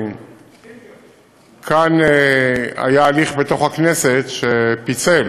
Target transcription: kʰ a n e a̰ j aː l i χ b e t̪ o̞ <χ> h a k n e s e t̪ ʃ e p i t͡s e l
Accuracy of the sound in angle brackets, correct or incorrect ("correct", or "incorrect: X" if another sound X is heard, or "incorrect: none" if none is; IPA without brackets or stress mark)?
correct